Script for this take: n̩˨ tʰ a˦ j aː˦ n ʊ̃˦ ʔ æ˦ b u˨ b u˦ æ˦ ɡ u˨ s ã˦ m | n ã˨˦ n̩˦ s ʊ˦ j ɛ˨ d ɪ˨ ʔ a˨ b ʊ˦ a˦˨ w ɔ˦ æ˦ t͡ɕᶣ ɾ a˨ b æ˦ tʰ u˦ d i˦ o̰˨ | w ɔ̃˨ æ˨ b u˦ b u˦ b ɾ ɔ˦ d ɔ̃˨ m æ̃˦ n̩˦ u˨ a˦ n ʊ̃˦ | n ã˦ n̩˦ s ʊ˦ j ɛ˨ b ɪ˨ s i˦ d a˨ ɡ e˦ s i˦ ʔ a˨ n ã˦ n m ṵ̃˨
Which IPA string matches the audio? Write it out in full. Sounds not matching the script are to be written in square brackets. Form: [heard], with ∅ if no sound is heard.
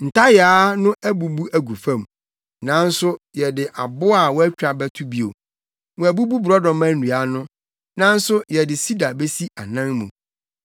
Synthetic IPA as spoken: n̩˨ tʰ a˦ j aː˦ n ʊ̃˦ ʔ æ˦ b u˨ b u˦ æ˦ ɡ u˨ [f] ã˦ m | n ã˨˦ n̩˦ s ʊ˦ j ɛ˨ d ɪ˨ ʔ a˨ b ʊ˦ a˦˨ w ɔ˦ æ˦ t͡ɕᶣ ɾ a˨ b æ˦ tʰ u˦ [b] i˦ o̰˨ | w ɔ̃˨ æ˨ b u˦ b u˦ b ɾ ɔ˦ d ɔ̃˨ m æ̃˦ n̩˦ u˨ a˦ n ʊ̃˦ | n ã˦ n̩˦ s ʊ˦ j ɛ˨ [d] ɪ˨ s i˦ d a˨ [b] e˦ s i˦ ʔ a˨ n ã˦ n m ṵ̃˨

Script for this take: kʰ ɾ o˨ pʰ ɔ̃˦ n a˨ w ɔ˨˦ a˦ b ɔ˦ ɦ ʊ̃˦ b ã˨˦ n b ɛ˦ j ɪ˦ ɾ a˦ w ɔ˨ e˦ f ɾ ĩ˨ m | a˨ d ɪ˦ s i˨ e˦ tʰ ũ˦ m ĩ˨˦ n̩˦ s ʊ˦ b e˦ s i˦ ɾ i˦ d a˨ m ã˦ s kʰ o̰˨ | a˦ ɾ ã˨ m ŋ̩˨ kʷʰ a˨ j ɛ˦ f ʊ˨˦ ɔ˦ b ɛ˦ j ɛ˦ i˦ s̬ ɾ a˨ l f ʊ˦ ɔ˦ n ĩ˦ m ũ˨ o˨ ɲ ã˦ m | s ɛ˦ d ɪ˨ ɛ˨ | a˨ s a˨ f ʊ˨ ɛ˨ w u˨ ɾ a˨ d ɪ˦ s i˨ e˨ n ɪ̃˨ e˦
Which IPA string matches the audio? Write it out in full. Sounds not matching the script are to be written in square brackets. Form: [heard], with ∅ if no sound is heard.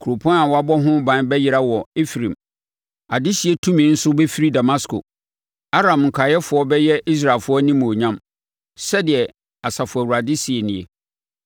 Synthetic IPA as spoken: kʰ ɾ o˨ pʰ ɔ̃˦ n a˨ w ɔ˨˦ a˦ b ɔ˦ ɦ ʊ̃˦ b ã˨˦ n b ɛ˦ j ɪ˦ ɾ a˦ w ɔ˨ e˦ f ɾ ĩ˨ m | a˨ d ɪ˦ s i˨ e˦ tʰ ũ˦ m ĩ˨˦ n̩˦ s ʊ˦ b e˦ [f] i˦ ɾ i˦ d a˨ m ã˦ s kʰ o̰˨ | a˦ ɾ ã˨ m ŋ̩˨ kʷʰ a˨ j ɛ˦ f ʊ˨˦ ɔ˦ b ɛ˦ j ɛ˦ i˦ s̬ ɾ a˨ l f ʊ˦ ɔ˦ n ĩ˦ m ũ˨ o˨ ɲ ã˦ m | s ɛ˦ d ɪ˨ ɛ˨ | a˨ s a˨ f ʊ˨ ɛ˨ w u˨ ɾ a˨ d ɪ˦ s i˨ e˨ n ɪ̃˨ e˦

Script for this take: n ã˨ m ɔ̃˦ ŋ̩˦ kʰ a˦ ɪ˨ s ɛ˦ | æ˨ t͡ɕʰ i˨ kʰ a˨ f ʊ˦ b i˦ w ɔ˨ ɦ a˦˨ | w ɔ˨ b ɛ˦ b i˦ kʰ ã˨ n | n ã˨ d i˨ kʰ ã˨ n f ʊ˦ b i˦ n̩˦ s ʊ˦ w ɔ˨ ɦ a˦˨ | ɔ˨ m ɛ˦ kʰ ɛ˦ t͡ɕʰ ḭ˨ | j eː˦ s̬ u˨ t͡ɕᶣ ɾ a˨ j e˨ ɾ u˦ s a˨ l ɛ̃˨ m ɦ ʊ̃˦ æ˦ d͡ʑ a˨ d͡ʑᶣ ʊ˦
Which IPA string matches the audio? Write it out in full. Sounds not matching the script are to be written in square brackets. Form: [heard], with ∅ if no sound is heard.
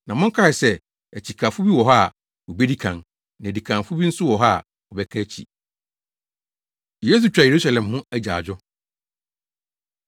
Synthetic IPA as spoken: n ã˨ m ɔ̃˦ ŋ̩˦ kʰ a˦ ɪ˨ s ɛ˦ | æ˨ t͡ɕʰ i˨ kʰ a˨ f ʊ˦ b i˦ w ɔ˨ ɦ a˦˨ | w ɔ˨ b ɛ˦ [d] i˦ kʰ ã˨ n | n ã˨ d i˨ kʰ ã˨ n f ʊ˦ b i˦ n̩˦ s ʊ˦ w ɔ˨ ɦ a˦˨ | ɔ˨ [b] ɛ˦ kʰ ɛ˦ t͡ɕʰ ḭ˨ | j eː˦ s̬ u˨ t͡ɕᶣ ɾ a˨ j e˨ ɾ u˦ s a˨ l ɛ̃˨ m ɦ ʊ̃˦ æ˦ d͡ʑ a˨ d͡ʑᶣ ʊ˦

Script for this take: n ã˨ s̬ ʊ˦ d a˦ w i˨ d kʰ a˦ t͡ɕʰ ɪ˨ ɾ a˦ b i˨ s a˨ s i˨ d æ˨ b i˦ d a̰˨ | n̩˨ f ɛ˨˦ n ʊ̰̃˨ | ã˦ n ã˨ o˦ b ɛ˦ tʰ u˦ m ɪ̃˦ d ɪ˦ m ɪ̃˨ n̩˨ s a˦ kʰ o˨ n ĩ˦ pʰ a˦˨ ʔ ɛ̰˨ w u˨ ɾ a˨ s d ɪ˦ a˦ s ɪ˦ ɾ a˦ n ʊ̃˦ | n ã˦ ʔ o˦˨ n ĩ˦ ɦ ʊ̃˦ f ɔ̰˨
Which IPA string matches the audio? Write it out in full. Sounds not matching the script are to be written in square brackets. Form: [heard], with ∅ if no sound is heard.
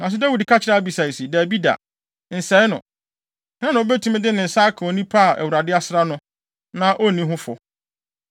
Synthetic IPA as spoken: n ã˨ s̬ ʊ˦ d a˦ w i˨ d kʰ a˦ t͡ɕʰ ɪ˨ ɾ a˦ b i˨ s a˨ s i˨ d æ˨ b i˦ d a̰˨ | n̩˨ [s] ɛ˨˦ n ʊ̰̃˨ | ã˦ n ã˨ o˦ b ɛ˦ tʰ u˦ m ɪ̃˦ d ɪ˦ [n] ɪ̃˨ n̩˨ s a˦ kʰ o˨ n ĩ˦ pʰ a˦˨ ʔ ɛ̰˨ w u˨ ɾ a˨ [∅] d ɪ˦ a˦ s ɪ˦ ɾ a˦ n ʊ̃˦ | n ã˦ ʔ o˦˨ n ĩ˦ ɦ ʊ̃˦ f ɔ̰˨

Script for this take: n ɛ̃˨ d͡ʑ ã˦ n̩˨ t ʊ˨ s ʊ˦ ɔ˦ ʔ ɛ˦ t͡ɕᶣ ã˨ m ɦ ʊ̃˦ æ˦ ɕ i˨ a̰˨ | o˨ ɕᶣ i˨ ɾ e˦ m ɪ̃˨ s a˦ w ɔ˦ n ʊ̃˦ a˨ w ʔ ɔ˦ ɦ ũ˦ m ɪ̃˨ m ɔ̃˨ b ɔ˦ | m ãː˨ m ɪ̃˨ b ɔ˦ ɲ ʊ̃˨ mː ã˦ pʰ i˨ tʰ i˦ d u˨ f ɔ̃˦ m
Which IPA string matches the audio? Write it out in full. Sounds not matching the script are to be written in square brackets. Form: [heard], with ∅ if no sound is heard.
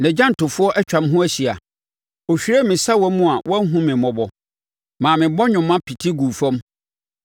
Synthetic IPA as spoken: n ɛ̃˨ d͡ʑ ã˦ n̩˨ t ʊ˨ [f] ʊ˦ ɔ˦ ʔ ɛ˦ t͡ɕᶣ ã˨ m ɦ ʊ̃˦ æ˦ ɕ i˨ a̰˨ | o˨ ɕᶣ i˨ ɾ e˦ m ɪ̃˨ s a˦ w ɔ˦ [m] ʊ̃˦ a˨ w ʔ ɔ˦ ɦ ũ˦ m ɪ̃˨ m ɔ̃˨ b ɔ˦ | m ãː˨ m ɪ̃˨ b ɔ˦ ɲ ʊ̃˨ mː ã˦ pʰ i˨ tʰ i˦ [ɡ] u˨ f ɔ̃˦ m

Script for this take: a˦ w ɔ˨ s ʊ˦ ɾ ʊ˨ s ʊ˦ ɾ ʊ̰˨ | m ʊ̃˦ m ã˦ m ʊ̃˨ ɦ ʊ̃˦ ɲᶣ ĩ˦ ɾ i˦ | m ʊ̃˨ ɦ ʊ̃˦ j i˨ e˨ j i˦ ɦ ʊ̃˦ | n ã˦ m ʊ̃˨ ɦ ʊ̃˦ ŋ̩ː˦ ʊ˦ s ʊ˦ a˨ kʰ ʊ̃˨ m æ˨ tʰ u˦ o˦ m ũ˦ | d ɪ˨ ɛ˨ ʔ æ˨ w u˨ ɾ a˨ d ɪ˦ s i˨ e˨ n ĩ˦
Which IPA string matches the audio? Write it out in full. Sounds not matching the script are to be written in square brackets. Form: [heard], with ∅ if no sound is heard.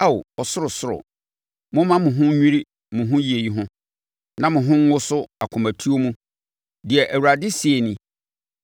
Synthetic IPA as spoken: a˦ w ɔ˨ s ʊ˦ ɾ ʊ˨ s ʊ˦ ɾ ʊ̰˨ | m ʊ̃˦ m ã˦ m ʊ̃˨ ɦ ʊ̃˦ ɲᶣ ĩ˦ ɾ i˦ | m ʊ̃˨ ɦ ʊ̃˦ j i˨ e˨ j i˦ ɦ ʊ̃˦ | n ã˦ m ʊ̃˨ ɦ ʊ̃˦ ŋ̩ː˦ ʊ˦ s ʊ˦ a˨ kʰ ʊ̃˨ m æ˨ tʰ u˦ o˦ m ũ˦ | d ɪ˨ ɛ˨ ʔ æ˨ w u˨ ɾ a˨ d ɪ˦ s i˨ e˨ n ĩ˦

